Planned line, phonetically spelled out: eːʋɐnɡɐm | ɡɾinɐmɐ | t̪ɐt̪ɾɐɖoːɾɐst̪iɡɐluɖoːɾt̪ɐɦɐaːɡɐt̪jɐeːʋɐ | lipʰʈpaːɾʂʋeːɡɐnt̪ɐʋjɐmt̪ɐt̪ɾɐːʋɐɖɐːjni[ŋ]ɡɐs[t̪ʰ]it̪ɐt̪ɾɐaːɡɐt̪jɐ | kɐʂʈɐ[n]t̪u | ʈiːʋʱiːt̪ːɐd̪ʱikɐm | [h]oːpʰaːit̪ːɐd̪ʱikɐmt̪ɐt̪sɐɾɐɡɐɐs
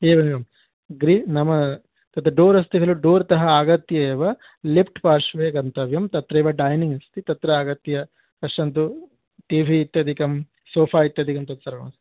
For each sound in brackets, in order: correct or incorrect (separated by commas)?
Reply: correct, incorrect, correct, incorrect